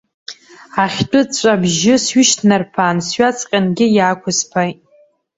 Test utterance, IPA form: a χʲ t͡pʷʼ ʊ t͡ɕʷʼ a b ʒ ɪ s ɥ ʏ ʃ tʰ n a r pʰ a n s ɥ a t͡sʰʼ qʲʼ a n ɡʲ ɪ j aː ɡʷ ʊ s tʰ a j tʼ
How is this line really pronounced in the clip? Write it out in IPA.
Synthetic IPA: a χʲ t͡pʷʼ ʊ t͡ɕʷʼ a b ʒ ɪ s ɥ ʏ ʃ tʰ n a r pʰ a n s ɥ a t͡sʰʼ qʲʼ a n ɡʲ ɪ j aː kʷ ʊ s pʰ a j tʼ